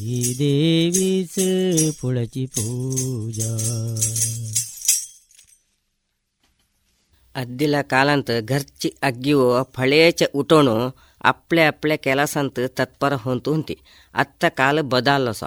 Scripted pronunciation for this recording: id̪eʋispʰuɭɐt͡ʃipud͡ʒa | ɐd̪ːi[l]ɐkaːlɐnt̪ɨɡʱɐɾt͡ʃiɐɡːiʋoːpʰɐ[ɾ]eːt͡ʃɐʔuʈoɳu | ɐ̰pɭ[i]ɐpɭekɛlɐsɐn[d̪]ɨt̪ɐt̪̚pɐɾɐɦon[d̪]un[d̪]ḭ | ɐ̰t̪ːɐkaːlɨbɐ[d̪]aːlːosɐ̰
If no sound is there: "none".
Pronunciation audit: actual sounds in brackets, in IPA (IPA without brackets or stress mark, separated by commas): l, ɭ, e, t̪, t̪, t̪, d̪